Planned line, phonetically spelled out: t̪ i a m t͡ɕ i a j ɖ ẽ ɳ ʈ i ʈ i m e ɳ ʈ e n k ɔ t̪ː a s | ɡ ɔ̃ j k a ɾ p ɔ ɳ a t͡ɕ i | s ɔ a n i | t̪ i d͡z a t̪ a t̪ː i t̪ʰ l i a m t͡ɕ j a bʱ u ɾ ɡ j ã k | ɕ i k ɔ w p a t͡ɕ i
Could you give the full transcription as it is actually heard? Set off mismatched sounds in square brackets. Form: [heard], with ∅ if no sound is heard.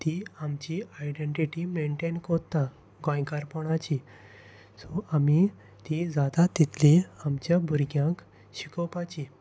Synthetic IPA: t̪ i a m t͡ɕ i a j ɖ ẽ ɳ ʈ i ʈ i m e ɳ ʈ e n k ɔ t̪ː a [∅] | ɡ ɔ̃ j k a ɾ p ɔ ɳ a t͡ɕ i | s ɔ a [m] i | t̪ i d͡z a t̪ a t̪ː i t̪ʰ l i a m t͡ɕ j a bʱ u ɾ ɡ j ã k | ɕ i k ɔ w p a t͡ɕ i